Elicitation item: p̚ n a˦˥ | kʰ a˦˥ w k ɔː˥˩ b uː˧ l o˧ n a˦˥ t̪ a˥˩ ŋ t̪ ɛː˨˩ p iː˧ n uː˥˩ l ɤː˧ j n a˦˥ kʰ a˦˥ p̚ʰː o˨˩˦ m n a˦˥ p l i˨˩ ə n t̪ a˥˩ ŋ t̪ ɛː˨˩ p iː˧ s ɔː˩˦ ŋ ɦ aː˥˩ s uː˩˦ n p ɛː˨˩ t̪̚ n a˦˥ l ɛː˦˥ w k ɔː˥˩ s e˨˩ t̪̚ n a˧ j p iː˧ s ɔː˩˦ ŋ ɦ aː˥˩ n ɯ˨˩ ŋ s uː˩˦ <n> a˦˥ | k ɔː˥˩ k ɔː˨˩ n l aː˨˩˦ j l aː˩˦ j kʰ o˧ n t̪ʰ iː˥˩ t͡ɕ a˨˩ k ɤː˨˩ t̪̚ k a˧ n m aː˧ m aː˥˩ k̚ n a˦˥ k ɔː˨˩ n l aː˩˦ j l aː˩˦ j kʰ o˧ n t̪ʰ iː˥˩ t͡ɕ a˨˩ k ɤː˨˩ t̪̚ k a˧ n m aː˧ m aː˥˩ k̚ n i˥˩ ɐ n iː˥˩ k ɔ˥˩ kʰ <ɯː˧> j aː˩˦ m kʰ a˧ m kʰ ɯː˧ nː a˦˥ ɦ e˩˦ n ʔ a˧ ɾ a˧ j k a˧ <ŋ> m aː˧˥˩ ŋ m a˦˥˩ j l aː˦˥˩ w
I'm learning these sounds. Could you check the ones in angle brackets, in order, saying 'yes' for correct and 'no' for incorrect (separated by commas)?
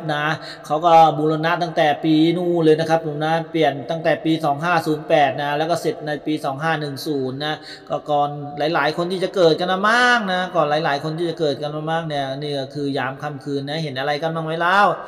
no, yes, no